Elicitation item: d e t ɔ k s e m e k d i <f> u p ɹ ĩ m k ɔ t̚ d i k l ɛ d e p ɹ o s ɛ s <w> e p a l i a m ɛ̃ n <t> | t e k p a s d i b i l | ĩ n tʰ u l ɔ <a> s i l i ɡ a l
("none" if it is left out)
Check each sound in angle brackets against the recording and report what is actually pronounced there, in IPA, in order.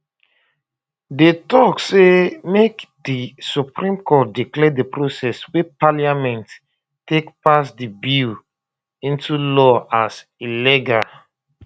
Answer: s, w, t, a

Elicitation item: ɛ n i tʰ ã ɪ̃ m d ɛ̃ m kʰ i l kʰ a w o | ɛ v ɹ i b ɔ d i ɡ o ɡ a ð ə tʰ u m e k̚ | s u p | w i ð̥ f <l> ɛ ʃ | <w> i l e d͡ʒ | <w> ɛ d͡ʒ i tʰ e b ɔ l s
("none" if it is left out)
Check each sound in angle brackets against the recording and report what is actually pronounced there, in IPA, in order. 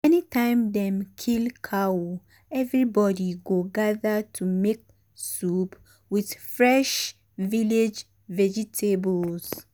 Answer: ɹ, v, v

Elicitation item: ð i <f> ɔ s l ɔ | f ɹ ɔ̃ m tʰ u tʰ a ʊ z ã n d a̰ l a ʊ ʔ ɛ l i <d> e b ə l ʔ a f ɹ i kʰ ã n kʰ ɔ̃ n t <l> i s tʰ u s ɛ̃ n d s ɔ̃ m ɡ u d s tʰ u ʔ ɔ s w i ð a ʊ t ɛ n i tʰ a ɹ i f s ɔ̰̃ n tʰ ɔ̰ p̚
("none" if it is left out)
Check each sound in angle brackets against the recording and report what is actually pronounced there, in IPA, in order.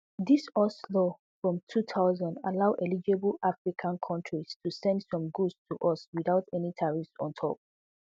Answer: s, d͡ʒ, ɹ

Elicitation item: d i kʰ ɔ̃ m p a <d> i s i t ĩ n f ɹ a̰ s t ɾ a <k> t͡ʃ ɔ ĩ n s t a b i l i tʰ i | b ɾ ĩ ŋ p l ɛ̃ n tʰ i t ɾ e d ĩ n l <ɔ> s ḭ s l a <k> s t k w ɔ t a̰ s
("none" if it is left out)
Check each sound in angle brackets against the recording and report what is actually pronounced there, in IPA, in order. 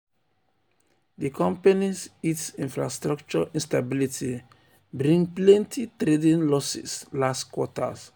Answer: n, k, ɔ, none

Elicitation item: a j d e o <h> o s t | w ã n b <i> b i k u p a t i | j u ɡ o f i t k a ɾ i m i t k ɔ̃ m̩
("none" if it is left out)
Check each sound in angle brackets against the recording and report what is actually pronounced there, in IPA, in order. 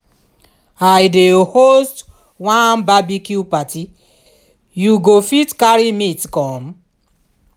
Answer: h, a

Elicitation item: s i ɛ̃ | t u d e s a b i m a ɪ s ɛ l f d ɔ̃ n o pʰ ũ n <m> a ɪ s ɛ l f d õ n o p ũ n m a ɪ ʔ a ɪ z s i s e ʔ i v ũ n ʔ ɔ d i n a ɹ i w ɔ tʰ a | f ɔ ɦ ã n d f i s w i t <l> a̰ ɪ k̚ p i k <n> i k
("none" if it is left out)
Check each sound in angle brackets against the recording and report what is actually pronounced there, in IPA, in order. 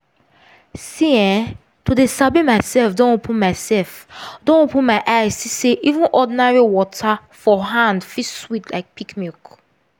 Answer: m, l, m

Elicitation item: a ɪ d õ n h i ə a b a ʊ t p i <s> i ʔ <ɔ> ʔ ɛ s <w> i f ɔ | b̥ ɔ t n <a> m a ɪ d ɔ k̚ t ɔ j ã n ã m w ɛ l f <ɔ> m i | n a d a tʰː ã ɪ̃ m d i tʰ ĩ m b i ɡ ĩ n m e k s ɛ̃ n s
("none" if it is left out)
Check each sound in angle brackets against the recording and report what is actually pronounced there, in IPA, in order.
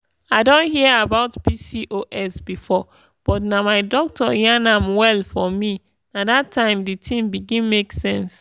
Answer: s, o, b, a, ɔ

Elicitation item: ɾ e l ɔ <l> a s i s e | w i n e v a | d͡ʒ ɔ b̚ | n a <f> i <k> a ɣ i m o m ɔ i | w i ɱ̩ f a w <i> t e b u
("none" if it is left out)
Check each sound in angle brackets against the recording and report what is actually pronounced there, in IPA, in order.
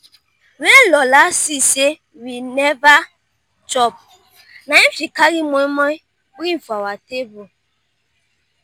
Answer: l, f, k, a

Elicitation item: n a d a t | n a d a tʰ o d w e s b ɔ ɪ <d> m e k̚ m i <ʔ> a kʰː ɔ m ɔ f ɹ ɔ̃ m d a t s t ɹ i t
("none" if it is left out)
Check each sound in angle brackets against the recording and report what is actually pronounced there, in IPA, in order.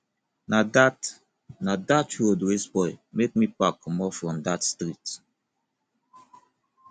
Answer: none, p

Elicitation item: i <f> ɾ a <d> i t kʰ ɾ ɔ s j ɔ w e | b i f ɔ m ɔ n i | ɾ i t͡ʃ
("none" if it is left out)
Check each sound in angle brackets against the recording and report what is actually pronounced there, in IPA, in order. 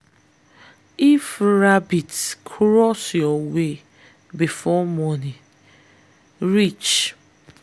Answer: f, b

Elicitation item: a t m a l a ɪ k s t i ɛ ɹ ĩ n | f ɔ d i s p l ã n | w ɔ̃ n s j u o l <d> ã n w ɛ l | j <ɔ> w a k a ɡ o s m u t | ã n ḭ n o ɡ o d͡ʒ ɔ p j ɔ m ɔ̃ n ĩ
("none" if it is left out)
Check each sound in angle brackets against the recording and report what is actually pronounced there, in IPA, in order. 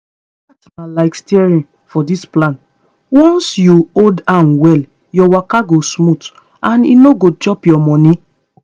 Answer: d, ɔ

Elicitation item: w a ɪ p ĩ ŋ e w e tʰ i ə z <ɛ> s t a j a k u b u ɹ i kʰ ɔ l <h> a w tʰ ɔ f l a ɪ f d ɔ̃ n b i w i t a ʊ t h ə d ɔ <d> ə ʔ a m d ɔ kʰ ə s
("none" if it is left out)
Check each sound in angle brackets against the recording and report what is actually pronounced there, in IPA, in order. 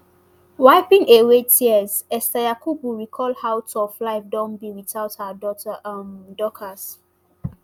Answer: ɛ, h, t

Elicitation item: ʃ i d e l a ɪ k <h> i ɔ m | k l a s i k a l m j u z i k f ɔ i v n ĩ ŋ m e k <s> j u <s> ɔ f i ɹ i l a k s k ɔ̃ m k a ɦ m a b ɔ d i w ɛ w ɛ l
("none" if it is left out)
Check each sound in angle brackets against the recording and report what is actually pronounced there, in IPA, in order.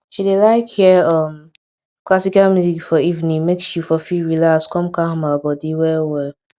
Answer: h, s, f

